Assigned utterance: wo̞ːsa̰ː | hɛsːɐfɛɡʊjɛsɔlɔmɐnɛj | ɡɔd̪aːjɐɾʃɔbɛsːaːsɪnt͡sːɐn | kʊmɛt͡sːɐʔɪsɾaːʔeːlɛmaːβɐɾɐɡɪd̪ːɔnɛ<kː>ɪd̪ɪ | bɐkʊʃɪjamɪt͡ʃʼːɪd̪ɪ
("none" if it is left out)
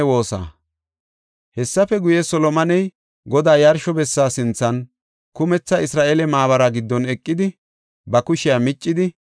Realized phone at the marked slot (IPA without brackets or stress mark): kʼː